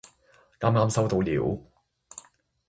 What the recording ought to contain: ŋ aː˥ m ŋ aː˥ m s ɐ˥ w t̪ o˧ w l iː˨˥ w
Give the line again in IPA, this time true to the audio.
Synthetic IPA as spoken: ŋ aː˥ m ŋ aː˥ m s ɐ˥ w t̪ o˧ w l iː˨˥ w